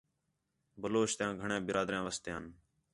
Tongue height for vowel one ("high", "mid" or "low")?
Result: mid